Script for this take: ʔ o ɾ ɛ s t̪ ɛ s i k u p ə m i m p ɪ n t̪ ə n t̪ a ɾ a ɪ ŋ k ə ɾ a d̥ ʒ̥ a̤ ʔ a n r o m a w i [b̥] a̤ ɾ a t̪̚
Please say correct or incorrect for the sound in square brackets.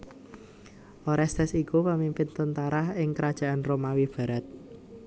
correct